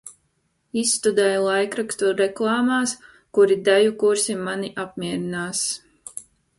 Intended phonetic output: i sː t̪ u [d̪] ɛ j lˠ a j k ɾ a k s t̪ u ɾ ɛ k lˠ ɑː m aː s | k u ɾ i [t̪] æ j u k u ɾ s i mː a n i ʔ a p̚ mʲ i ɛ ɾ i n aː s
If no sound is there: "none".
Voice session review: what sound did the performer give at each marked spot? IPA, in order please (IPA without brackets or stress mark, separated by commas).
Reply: d̪, d̪